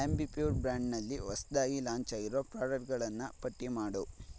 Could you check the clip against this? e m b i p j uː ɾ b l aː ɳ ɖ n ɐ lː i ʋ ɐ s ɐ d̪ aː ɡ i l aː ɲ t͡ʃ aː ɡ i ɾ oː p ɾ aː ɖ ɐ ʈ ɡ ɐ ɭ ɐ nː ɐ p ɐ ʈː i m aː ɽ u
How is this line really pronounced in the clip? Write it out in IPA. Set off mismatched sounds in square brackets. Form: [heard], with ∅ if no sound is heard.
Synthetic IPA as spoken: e m b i p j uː ɾ b [ɾ] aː ɳ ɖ n ɐ lː i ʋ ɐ s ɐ d̪ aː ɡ i l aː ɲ t͡ʃ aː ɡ i ɾ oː p ɾ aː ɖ ɐ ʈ ɡ ɐ ɭ ɐ nː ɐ p ɐ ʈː i m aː ɽ u